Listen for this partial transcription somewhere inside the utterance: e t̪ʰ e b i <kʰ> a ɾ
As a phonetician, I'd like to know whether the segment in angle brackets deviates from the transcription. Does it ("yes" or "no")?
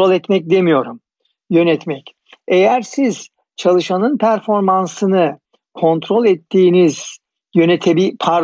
yes